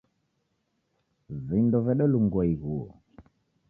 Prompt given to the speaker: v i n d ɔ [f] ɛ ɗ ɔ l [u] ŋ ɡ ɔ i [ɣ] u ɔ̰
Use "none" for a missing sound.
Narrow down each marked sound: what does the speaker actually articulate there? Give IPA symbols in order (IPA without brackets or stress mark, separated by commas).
v, u, ɣ